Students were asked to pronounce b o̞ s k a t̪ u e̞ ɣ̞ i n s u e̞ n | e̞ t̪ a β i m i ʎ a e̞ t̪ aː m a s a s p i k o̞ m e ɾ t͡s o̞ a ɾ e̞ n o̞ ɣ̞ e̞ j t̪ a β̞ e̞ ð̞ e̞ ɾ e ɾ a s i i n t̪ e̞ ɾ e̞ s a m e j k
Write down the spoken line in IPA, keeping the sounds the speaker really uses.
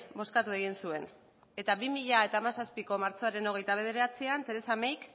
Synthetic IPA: b o̞ s k a t̪ u e̞ ɣ̞ i n s u e̞ n | e̞ t̪ a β i m i ʎ a e̞ t̪ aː m a s a s p i k o̞ m a ɾ t͡s o̞ a ɾ e̞ n o̞ ɣ̞ e̞ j t̪ a β̞ e̞ ð̞ e̞ ɾ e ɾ a t͡s i a n t̪ e̞ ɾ e̞ s a m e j k